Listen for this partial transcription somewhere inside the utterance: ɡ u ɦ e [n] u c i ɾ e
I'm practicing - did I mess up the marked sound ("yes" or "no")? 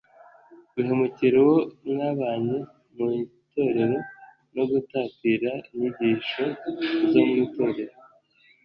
yes